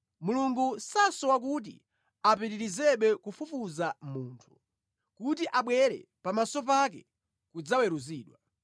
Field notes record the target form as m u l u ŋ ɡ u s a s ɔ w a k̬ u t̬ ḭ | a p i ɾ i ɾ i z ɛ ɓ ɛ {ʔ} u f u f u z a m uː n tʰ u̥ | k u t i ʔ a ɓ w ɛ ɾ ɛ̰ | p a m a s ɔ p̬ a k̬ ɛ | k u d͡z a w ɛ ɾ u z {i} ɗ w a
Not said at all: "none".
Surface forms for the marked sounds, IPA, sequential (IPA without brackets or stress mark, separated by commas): k, iː